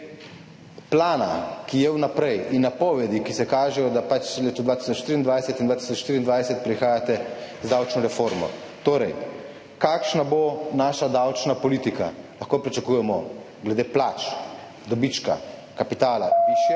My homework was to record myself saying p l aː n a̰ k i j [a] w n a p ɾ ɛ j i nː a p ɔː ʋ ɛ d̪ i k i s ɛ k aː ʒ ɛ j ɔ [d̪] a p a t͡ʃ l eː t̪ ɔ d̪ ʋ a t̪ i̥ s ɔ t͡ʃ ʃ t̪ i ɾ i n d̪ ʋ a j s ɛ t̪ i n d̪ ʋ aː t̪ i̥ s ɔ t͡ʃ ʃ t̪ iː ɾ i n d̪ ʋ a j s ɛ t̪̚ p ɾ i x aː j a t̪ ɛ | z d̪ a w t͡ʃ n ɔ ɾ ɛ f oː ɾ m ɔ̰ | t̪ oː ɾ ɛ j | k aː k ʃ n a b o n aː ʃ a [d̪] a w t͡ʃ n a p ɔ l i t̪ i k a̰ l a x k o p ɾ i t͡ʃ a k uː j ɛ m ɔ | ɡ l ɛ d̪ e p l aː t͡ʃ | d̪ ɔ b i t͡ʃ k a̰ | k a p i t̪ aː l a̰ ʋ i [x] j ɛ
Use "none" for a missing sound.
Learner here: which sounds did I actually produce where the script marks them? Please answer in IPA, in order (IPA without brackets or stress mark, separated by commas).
ɛ, d̪, d̪, ʃ